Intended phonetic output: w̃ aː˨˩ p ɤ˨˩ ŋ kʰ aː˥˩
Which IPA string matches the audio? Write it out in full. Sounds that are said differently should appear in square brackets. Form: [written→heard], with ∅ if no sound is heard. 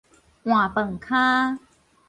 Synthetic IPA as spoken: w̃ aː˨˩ p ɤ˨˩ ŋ kʰ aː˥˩